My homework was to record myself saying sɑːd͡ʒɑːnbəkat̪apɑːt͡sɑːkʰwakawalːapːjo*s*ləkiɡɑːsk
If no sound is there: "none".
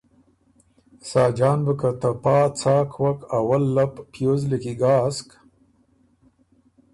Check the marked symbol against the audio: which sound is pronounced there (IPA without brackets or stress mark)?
z